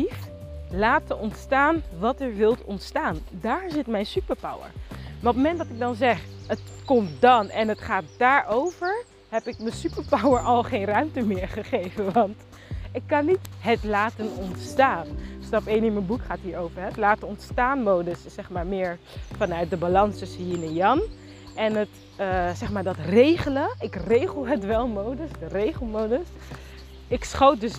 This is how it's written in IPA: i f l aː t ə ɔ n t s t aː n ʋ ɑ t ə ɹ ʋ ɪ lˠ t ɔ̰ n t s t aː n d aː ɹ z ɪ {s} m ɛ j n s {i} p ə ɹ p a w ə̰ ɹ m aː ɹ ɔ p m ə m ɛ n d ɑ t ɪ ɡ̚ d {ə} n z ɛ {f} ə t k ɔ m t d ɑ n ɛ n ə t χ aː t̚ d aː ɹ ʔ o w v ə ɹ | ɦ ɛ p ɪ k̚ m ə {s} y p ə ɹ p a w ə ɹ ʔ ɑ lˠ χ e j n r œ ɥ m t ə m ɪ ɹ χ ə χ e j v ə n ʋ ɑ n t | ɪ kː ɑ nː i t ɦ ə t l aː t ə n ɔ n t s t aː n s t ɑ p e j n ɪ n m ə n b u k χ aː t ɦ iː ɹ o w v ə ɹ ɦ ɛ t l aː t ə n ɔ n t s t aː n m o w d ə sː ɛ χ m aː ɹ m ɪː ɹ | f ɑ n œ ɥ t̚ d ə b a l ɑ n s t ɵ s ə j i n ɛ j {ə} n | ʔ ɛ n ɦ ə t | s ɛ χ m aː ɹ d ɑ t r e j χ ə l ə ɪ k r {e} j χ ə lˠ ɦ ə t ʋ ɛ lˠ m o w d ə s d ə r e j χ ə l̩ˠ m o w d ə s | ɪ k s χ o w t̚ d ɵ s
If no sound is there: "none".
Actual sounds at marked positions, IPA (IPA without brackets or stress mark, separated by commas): t, y, ɑ, χ, s, ɑ, e